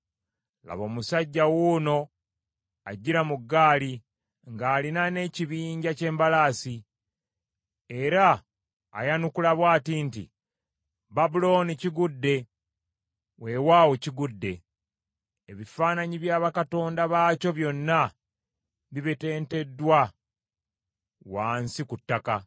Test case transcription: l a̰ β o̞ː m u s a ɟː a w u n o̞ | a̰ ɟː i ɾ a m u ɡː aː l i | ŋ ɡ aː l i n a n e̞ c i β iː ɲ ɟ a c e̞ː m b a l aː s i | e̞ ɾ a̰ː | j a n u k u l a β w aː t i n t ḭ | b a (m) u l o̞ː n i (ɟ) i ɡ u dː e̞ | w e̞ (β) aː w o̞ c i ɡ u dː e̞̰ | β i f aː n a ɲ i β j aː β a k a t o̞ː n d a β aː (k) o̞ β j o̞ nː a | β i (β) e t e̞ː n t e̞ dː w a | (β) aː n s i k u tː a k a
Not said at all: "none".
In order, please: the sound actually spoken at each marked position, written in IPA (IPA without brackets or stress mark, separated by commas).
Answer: b, c, w, c, β, w